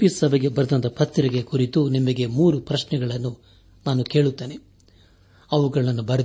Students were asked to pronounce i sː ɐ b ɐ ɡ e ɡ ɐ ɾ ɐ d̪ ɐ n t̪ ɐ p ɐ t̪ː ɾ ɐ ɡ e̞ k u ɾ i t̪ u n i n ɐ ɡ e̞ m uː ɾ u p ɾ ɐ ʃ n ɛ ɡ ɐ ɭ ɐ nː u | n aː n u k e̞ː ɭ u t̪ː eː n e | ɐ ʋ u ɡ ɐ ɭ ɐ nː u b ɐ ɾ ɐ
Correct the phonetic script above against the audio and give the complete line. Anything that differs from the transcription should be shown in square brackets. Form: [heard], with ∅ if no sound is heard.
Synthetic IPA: i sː ɐ b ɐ ɡ e [b] ɐ ɾ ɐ d̪ ɐ n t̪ ɐ p ɐ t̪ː ɾ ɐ ɡ e̞ k u ɾ i t̪ u n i [m] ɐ ɡ e̞ m uː ɾ u p ɾ ɐ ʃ n ɛ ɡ ɐ ɭ ɐ nː u | n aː n u k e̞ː ɭ u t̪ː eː n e | ɐ ʋ u ɡ ɐ ɭ ɐ nː u b ɐ ɾ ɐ